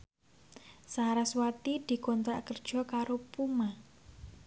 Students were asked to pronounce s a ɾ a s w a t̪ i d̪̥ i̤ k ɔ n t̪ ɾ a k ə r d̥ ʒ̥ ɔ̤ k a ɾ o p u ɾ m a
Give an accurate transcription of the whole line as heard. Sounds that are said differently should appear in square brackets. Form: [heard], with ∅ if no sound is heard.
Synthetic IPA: s a ɾ a s w a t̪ i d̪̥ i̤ k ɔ n t̪ ɾ a k ə r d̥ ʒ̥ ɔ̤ k a ɾ o p u [∅] m a